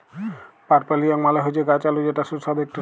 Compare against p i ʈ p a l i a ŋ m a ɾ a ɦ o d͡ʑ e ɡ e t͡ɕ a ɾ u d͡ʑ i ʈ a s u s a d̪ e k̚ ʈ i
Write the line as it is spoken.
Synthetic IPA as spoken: p a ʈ p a l i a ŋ m a l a ɦ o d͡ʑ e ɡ a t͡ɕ a l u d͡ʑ e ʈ a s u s a d̪ e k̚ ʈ i